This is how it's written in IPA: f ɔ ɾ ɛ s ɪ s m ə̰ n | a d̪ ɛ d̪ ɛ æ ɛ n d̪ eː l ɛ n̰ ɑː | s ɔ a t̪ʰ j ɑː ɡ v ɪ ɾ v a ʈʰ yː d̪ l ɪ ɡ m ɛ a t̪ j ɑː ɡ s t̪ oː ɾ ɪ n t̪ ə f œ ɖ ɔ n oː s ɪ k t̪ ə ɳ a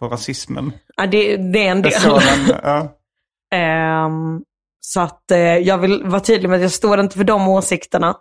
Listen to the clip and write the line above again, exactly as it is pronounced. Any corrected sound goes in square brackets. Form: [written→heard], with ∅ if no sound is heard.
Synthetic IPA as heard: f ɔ ɾ [ɛ→a] s ɪ s m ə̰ n | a d̪ ɛ d̪ ɛ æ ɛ n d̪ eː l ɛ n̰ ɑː | s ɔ a [t̪ʰ→t̪] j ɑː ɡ v ɪ [ɾ→l] v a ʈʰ yː d̪ l ɪ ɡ m ɛ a t̪ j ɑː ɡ s t̪ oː ɾ ɪ n t̪ ə f œ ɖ ɔ [n→m] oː s ɪ k t̪ ə ɳ a